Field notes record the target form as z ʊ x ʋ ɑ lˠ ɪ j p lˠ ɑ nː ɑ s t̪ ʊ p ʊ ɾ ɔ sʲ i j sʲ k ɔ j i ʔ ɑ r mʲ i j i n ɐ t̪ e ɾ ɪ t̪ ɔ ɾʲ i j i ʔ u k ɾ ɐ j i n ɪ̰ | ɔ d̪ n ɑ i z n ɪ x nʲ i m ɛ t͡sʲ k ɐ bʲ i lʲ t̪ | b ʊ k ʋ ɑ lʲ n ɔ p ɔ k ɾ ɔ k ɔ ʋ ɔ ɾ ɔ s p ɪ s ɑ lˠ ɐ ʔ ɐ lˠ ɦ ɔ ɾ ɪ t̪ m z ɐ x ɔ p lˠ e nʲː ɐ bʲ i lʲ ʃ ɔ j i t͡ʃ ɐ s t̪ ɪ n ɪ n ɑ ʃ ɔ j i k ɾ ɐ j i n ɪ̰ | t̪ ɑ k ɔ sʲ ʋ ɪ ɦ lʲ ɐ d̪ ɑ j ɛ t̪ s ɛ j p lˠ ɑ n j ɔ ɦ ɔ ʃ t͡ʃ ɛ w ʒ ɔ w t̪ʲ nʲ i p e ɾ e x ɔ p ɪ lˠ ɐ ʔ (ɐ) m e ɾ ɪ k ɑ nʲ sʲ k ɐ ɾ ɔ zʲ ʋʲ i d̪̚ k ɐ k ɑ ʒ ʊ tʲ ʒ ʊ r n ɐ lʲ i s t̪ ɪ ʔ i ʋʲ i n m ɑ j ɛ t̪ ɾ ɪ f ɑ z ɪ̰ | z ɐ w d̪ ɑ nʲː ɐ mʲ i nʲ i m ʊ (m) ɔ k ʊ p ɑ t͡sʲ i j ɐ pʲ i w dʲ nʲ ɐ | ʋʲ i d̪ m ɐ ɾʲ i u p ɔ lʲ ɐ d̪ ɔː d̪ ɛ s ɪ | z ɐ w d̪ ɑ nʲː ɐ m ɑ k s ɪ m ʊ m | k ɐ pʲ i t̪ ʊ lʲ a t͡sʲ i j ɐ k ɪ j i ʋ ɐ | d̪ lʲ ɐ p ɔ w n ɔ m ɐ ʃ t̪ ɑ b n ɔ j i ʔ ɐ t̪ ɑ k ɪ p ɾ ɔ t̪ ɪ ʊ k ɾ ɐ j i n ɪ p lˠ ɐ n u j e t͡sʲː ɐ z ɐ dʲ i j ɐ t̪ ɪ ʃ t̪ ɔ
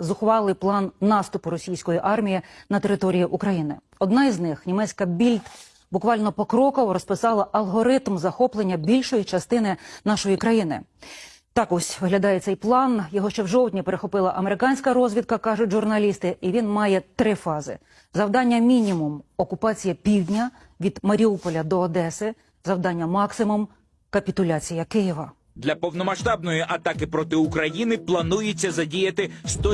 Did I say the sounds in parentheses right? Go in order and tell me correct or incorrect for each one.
correct, correct

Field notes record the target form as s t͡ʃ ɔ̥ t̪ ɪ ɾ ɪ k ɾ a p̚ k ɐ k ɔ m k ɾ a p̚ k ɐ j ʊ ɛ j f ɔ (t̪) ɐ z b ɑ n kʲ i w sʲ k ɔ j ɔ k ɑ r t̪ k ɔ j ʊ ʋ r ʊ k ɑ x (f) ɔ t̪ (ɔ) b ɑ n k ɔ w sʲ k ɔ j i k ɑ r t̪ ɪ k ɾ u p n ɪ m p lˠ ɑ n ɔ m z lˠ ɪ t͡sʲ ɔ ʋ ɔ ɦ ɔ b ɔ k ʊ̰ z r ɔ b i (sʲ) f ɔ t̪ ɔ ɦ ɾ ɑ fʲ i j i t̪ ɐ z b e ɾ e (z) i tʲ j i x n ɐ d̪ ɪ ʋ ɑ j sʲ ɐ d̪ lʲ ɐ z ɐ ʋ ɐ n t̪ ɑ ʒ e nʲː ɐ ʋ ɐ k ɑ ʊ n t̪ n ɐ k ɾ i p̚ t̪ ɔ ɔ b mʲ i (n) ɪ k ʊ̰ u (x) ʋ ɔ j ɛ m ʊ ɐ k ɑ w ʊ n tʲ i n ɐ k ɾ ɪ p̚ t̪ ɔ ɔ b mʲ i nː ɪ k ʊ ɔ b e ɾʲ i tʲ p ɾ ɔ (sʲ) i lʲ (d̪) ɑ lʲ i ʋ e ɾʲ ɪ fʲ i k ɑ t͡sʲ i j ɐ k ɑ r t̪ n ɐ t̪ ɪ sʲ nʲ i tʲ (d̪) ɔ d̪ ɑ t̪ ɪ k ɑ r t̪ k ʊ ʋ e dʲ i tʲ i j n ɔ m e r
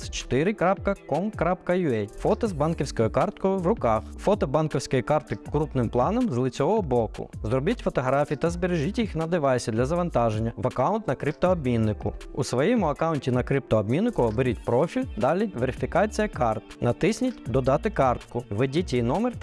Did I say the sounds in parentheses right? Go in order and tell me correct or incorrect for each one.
correct, correct, correct, incorrect: tʲ, incorrect: ʒ, incorrect: nː, incorrect: s, incorrect: fʲ, correct, correct

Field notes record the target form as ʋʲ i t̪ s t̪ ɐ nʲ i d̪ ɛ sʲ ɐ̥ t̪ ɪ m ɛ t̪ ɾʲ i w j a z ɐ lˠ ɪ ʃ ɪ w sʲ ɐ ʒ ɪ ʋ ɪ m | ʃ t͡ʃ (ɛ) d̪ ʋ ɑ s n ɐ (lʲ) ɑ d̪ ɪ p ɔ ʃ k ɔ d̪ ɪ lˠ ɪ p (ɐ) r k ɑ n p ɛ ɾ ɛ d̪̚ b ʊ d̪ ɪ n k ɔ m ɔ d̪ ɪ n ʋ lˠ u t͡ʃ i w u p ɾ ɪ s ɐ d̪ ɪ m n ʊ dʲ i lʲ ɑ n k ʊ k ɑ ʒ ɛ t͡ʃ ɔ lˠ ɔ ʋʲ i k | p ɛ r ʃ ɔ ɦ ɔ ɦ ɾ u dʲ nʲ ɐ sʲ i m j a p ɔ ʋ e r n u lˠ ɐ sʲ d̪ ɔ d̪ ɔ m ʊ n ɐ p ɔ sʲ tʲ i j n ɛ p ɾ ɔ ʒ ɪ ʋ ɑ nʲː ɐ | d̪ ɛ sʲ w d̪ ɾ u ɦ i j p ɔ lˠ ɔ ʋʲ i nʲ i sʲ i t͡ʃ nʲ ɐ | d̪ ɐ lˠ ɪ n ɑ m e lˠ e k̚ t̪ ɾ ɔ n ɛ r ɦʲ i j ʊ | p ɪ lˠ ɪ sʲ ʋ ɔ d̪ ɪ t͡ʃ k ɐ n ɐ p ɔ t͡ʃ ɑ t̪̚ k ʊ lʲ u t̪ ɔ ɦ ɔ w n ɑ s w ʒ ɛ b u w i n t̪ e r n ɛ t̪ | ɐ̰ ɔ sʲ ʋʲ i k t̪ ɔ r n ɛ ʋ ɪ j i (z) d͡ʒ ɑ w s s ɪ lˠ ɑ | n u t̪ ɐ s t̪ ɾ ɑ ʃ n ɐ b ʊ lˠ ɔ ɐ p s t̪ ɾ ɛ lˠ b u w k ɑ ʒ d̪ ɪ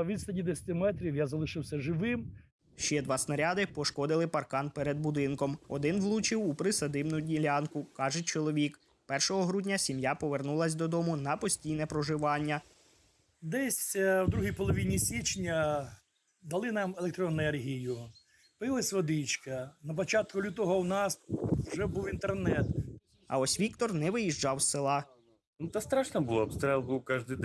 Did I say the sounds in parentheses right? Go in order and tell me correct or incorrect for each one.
correct, incorrect: ɾʲ, correct, incorrect: ʒ

